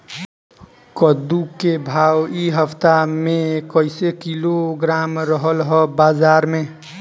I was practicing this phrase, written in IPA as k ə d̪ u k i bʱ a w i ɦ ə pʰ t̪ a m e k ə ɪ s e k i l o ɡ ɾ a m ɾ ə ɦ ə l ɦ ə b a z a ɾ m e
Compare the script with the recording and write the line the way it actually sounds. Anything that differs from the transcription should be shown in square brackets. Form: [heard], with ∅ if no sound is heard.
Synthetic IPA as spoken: k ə d̪ u k [e] bʱ a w i ɦ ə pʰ t̪ a m e k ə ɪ s e k i l o ɡ ɾ a m ɾ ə ɦ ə l ɦ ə b a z a ɾ m e